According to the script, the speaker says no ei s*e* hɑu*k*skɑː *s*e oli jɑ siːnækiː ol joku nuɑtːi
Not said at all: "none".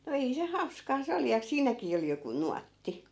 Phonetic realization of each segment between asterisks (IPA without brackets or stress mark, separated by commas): e, none, s